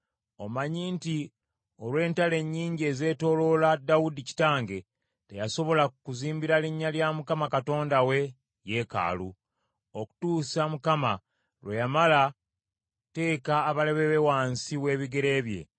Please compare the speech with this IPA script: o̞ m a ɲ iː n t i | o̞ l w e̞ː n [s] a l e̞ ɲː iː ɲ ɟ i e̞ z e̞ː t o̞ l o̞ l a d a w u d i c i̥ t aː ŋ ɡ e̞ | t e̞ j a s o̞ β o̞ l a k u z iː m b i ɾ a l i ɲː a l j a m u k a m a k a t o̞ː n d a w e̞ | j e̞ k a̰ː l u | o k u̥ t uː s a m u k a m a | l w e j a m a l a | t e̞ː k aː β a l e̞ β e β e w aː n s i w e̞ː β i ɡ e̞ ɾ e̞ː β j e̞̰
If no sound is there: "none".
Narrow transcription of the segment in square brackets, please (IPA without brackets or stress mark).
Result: t